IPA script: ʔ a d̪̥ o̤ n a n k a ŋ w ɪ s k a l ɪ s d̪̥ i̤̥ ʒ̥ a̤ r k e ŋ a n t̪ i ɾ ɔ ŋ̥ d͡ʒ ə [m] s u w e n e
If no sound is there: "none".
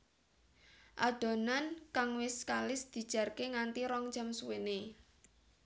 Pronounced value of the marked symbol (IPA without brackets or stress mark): m